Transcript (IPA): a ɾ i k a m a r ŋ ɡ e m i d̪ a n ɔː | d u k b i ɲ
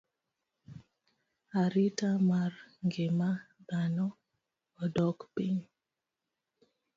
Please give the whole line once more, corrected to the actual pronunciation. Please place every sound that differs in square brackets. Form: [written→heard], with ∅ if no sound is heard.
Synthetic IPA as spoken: a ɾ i [k→t] a m a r ŋ ɡ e m [i→a] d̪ a n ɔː | d [u→ɔ] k [b→p] i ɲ